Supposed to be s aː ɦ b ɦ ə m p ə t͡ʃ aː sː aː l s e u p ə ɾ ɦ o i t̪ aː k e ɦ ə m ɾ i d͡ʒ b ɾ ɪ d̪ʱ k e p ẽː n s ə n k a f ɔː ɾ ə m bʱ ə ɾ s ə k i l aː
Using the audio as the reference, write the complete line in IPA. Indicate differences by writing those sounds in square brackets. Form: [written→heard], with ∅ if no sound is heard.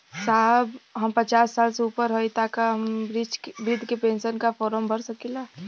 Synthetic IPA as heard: s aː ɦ b ɦ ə m p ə t͡ʃ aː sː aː l s e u p ə ɾ ɦ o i t̪ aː k [e→a] ɦ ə m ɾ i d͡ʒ b ɾ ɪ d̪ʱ k e p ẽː n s ə n k a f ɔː ɾ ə m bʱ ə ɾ s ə k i l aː